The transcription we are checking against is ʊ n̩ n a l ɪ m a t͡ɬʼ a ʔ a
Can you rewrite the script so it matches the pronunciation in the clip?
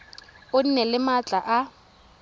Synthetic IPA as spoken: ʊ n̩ n ɛ l ɪ m a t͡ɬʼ a ʔ a